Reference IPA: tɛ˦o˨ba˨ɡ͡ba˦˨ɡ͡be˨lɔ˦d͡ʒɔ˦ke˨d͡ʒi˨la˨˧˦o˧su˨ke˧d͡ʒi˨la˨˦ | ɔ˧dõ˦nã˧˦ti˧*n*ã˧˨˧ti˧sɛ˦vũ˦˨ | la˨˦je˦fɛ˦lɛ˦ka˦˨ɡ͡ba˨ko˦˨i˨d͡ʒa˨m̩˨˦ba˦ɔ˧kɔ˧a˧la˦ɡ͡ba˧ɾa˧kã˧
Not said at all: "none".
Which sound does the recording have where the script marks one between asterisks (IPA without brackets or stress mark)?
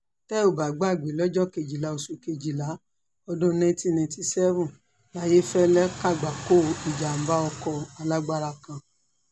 n